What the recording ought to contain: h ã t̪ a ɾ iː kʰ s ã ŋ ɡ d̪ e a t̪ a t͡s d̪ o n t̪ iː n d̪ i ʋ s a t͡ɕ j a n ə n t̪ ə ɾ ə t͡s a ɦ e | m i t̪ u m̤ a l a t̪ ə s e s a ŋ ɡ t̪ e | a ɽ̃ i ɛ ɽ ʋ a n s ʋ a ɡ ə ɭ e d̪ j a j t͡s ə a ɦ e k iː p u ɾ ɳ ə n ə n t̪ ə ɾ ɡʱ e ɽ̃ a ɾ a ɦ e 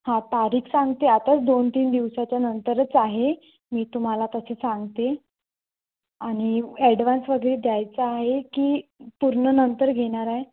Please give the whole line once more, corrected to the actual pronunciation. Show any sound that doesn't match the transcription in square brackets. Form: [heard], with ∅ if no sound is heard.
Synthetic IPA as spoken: h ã t̪ a ɾ iː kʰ s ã ŋ ɡ [t̪] e a t̪ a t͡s d̪ o n t̪ iː n d̪ i ʋ s a t͡ɕ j a n ə n t̪ ə ɾ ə t͡s a ɦ e | m [iː] t̪ u m̤ a l a t̪ ə s e s a ŋ ɡ t̪ e | a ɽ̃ i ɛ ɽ ʋ a n s ʋ [ə] ɡ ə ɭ e d̪ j a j t͡s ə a ɦ e k iː p u ɾ ɳ ə n ə n t̪ ə ɾ ɡʱ e ɽ̃ a ɾ a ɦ e